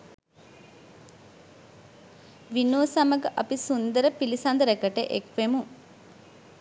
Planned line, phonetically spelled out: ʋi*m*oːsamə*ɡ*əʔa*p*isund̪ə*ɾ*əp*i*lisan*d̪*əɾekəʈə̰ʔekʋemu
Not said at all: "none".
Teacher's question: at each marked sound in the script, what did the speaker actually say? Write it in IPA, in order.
n, ɡ, p, ɾ, i, d̪

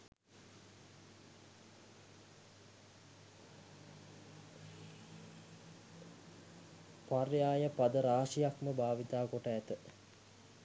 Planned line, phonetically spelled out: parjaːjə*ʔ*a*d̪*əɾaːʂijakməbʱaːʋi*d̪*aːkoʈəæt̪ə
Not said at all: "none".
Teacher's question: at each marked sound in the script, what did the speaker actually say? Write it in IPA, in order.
p, d̪, t̪

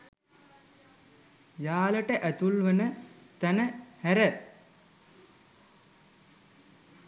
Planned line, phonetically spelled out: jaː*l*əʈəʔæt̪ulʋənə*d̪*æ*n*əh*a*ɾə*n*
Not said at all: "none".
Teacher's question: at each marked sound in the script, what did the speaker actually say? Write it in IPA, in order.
l, t̪, n, æ, none

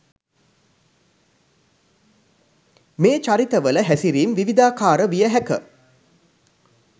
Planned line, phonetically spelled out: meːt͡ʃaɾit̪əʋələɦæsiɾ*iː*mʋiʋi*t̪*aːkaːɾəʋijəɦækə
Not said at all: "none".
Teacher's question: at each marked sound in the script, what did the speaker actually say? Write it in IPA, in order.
iː, d̪

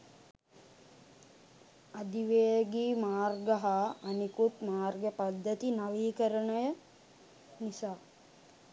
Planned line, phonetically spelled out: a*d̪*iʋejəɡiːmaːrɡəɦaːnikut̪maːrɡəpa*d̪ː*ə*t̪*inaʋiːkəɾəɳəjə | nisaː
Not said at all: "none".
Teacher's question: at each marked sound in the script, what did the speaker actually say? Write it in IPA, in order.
d̪, d̪ː, t̪

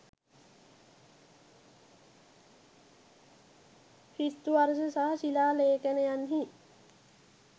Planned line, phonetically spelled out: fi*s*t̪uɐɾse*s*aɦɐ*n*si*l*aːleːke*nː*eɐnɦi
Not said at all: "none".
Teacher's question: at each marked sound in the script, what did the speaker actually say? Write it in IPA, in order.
s, s, none, l, n

